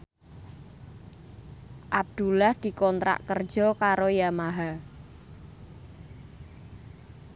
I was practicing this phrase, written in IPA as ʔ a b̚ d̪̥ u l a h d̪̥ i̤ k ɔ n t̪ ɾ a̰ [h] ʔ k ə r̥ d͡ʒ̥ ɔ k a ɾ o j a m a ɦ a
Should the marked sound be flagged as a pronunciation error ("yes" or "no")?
yes